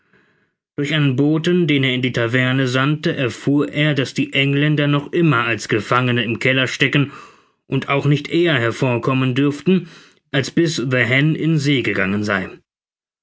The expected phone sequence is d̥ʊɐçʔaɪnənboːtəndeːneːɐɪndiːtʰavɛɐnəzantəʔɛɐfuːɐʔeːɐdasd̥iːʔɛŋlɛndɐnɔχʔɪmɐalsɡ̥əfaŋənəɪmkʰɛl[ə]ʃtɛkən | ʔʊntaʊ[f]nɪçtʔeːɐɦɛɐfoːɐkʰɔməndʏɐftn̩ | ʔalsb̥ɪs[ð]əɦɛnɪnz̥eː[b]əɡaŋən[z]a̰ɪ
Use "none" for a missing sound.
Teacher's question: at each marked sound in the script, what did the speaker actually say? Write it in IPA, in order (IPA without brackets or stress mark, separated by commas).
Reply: ɐ, x, ð, ɡ, z